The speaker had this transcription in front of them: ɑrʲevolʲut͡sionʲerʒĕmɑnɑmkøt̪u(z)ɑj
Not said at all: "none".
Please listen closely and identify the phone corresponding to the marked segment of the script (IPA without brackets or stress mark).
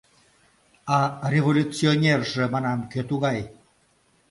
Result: ɣ